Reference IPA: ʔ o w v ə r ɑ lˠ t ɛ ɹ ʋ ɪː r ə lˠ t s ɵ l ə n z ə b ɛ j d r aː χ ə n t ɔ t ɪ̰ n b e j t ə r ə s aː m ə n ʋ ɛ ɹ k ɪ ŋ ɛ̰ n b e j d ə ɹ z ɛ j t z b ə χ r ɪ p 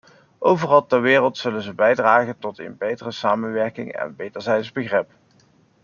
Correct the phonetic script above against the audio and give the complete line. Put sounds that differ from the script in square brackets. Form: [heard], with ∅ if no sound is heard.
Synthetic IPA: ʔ o w v ə r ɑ lˠ t ɛ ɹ ʋ ɪː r ə lˠ t s ɵ l ə n z ə b ɛ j d r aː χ ə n t ɔ t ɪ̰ n b e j t ə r ə s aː m ə n ʋ ɛ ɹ k ɪ ŋ ɛ̰ n b e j d ə ɹ z ɛ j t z b ə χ r ɪ p